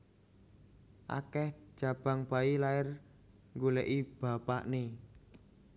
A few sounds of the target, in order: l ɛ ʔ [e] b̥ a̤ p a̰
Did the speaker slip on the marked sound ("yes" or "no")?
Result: yes